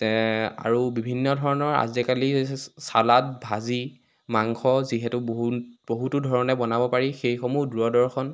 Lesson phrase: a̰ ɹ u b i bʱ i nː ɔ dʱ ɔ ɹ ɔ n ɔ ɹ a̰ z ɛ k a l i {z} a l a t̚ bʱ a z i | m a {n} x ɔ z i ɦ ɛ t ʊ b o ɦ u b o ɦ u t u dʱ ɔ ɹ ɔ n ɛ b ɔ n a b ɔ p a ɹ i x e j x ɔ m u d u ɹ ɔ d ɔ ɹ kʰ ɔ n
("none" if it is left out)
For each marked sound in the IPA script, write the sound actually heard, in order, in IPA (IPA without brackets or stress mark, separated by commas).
s, ŋ